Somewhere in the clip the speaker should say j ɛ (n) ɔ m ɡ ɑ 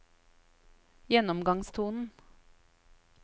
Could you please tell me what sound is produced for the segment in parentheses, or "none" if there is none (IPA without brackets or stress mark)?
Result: n